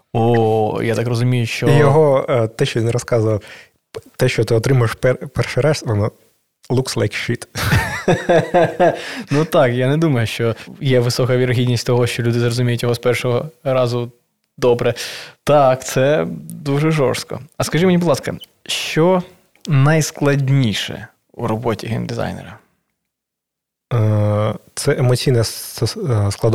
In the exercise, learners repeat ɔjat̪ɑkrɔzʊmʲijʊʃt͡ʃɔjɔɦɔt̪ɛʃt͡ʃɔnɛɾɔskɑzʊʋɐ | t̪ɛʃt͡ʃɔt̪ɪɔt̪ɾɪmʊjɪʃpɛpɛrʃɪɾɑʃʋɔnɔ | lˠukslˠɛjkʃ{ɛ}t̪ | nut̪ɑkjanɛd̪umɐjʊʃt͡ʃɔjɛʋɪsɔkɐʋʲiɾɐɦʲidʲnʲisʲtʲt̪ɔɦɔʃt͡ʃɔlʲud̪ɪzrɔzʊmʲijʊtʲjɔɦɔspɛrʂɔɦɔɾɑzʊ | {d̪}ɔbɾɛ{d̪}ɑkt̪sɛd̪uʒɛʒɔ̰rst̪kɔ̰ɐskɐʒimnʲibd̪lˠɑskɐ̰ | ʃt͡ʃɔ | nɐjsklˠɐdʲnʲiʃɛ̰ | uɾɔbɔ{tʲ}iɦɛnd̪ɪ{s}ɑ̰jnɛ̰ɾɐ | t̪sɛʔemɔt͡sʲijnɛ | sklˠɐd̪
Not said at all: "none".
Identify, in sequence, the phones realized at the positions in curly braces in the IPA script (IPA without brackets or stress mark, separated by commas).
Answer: i, d̪, t̪, tʲ, z